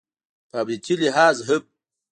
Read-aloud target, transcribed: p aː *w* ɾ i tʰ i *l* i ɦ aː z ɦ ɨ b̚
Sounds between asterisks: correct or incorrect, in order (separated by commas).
incorrect, correct